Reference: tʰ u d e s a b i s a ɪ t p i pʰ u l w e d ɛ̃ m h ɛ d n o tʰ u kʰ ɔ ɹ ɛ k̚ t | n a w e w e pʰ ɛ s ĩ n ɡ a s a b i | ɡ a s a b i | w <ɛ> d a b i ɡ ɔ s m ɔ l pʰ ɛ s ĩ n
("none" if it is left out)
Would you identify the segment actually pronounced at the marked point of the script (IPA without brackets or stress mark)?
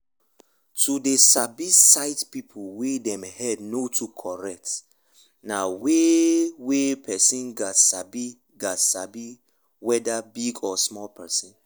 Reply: ɛ